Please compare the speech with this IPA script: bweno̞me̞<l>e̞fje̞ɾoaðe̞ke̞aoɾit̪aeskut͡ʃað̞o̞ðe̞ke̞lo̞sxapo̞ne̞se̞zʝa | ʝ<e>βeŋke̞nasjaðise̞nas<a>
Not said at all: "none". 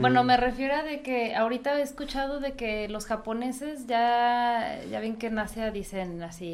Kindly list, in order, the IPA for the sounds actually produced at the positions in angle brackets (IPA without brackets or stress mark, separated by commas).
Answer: r, a, i